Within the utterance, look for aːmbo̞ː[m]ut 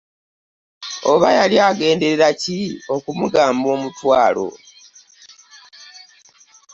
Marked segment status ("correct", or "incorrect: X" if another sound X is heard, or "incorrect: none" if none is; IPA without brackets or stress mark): correct